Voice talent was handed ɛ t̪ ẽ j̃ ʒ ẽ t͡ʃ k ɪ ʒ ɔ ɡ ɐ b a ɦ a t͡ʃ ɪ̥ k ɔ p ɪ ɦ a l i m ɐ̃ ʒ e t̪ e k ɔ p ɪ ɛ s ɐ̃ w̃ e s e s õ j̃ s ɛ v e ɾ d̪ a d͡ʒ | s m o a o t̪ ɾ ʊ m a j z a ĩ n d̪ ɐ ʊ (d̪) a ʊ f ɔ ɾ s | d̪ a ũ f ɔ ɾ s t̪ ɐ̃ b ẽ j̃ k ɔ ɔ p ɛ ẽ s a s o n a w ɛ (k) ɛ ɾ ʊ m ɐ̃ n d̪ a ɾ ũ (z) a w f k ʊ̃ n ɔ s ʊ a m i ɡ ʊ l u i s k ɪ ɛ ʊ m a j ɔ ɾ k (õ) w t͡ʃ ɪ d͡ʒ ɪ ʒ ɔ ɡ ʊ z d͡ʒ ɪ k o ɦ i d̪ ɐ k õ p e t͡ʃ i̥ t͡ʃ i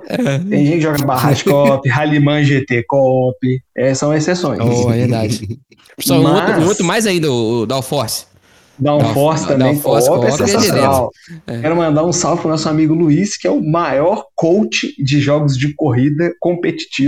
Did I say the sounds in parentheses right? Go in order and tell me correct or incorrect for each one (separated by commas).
correct, correct, incorrect, incorrect